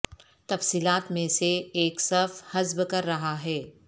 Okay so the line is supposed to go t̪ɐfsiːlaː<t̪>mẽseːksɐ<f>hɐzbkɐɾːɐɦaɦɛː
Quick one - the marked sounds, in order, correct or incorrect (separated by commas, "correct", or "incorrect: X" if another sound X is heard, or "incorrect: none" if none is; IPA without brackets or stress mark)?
correct, correct